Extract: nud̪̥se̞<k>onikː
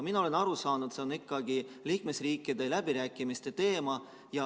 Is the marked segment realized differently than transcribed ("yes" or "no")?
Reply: yes